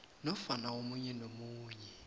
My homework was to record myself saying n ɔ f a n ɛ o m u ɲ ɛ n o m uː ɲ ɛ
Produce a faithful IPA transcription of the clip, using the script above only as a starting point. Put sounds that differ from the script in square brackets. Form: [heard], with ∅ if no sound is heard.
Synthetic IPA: n ɔ f a n [a] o m u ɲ ɛ n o m uː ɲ ɛ